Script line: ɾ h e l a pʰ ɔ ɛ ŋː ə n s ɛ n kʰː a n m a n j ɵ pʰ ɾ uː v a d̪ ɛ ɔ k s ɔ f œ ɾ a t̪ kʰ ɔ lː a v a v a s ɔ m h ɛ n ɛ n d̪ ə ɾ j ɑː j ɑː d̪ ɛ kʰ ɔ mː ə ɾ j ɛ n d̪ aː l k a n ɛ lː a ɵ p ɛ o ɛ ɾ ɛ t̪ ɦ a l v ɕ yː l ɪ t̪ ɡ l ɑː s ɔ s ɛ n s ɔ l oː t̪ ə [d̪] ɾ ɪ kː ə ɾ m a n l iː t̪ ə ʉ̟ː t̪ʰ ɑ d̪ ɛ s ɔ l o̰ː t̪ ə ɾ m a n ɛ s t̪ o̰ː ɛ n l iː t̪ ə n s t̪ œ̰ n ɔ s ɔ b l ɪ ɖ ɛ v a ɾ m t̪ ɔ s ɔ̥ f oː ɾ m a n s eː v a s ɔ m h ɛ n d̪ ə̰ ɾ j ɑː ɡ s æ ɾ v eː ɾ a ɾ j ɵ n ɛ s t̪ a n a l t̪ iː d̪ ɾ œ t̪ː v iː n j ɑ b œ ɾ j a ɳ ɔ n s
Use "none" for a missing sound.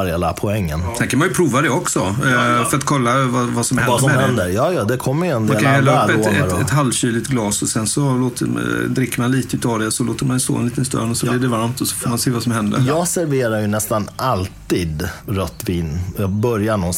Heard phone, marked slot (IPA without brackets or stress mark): d̪